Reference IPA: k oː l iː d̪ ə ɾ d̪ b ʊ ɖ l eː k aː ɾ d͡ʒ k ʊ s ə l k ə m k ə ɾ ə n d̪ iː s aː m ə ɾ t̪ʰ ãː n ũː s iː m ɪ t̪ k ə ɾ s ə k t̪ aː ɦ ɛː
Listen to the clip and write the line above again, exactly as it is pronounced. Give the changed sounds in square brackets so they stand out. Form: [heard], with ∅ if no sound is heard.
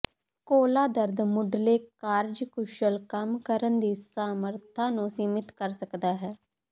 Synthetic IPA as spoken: k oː l [aː] d̪ ə ɾ d̪ [m] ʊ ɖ l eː k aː ɾ d͡ʒ k ʊ [ʃ] ə l k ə m k ə ɾ ə n d̪ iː s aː m ə ɾ t̪ʰ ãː n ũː s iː m ɪ t̪ k ə ɾ s ə k [d̪] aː ɦ ɛː